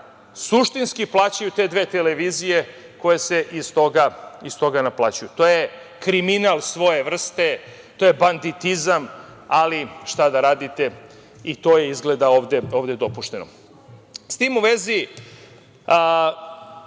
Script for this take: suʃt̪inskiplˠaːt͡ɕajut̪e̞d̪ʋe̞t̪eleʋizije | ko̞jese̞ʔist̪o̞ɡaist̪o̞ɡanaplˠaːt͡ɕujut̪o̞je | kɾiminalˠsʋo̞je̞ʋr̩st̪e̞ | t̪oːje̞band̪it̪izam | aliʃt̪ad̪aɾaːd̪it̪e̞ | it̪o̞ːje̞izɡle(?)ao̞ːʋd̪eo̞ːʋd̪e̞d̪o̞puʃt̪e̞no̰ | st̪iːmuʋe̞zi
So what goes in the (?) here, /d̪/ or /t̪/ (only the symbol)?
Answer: d̪